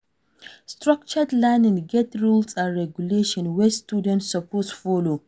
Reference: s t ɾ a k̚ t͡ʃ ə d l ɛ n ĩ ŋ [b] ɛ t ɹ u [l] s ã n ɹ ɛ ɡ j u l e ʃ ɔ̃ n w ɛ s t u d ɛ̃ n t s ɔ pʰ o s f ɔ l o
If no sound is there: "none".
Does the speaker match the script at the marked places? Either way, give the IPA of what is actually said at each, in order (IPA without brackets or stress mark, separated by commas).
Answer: ɡ, l